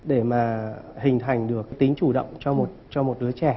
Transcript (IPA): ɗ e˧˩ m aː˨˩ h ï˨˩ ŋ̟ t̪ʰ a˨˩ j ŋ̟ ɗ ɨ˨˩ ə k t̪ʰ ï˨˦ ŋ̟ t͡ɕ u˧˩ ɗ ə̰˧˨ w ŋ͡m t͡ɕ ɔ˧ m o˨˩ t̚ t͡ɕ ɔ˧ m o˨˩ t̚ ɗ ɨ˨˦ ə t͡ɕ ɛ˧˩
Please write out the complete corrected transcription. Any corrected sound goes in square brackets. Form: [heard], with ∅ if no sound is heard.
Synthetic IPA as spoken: ɗ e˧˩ m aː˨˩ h ï˨˩ ŋ̟ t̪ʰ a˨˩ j ŋ̟ ɗ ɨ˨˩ ə k [t̪] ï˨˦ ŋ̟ t͡ɕ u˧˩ ɗ ə̰˧˨ w ŋ͡m t͡ɕ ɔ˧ m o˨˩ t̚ t͡ɕ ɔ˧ m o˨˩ t̚ ɗ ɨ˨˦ ə t͡ɕ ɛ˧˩